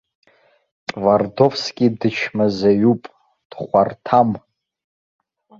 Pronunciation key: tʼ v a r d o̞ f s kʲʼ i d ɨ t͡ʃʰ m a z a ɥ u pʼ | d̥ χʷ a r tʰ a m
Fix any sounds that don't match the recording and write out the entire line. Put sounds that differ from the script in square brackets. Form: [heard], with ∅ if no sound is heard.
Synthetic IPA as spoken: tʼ v a r d o̞ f s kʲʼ i d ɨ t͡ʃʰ m a z a ɥ u pʼ | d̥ χʷ a r tʰ a m